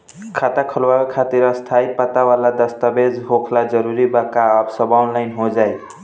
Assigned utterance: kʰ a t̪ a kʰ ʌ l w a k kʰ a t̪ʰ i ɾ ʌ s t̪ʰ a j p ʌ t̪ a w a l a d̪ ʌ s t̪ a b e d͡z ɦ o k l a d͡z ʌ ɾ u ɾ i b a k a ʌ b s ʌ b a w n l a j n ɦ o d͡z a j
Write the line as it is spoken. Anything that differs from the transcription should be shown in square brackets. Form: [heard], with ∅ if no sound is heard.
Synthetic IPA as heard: kʰ a t̪ a kʰ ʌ l w a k kʰ a [t̪] i ɾ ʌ s t̪ʰ a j p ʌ t̪ a w a l a d̪ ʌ s t̪ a b e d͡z ɦ o [kʰ] l a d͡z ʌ ɾ u ɾ i b a k a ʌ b s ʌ b a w n l a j n ɦ o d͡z a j